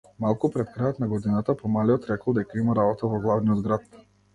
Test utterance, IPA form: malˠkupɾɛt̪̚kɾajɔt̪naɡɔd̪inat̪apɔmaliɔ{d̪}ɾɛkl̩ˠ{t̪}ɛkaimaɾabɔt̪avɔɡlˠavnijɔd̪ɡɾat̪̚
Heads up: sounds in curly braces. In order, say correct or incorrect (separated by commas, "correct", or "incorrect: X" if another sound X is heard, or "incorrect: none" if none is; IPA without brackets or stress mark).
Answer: incorrect: t̪, incorrect: d̪